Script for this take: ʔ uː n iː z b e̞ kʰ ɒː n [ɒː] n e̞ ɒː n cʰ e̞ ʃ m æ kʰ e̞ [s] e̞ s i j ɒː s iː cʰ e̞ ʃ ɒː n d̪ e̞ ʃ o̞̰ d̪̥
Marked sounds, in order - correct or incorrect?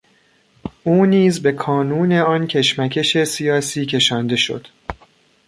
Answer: incorrect: uː, incorrect: ʃ

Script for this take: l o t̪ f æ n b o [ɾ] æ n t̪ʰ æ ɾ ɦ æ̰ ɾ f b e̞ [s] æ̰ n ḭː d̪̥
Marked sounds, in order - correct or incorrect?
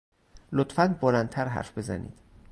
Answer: incorrect: l, incorrect: z

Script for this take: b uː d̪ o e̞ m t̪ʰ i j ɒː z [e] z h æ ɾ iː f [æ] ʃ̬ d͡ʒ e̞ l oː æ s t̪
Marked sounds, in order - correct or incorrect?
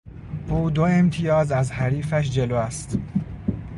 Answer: incorrect: æ, correct

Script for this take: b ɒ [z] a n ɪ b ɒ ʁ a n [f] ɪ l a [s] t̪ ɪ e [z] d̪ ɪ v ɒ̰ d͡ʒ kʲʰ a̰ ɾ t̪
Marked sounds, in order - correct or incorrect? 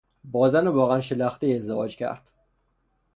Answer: correct, incorrect: ʃ, incorrect: χ, correct

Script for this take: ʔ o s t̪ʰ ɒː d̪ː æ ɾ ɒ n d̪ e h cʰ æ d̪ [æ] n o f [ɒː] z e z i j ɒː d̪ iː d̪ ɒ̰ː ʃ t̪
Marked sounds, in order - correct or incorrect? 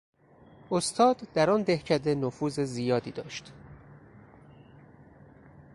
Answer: incorrect: e, incorrect: uː

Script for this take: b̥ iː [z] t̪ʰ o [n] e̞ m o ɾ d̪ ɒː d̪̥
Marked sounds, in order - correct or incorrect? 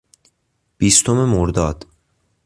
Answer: incorrect: s, incorrect: m

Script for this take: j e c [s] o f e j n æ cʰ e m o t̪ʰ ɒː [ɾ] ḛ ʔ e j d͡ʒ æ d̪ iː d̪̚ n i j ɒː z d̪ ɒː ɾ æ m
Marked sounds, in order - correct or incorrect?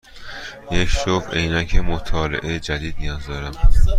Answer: incorrect: ʃ, incorrect: l

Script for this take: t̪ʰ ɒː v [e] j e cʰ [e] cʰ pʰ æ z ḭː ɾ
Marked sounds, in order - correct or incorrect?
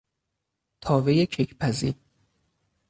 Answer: correct, correct

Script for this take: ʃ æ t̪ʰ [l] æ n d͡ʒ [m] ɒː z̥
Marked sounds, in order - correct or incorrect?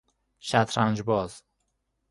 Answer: incorrect: ɾ, incorrect: b

